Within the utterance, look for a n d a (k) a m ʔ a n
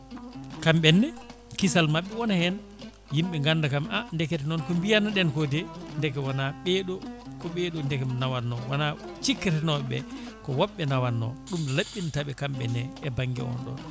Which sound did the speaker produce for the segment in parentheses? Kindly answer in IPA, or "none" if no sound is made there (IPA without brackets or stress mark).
k